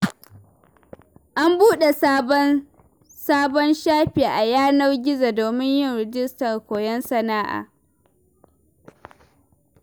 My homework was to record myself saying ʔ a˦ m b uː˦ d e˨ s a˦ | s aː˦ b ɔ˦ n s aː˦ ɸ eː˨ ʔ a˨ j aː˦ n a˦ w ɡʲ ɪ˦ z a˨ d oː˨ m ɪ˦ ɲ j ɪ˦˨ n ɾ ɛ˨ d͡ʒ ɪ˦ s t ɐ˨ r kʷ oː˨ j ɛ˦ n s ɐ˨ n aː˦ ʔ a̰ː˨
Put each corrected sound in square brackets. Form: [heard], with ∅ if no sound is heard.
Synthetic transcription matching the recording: ʔ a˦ m b uː˦ [ɗ] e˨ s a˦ | s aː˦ b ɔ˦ n [ʃ] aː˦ ɸ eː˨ ʔ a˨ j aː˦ n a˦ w ɡʲ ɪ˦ z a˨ d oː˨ m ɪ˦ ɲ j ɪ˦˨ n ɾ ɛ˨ d͡ʒ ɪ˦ s t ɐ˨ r kʷ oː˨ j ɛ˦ n s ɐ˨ n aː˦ ʔ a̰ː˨

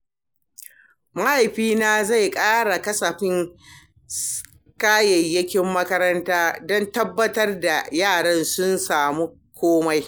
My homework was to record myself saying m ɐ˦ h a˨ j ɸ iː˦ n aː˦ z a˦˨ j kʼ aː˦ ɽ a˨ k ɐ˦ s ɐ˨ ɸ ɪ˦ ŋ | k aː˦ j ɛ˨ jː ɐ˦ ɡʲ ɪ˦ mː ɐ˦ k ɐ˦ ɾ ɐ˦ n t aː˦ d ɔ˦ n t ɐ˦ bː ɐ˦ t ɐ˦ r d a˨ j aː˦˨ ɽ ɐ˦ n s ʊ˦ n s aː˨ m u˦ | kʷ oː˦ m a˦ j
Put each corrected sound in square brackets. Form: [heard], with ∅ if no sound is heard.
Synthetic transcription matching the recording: m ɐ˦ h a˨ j ɸ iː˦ n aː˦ z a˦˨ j kʼ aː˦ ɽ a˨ k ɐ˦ s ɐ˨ ɸ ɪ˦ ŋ | k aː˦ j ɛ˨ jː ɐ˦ [kʲ] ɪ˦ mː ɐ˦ k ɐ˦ ɾ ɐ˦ n t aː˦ d ɔ˦ n t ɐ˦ bː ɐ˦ t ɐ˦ r d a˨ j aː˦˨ ɽ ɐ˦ n s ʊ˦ n s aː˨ m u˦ | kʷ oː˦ m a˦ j

